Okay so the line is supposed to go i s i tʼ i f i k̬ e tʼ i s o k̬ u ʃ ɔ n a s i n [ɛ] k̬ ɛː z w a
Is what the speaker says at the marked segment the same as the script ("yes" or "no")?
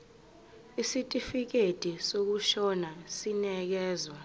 yes